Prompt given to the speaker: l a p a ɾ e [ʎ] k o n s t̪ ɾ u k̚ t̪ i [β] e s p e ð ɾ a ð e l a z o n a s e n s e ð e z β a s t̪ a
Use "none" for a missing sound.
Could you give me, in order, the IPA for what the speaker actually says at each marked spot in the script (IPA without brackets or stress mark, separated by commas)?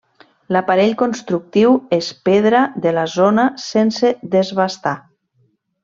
ʎ, w